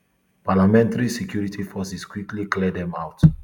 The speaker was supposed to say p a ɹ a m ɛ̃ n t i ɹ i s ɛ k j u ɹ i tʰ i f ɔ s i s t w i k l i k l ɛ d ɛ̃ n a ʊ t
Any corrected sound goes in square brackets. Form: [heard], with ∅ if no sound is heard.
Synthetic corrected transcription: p a [l] a m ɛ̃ n t [a] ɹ i s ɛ k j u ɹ i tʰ i f ɔ s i s [k] w i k l i k l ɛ d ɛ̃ [m] a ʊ t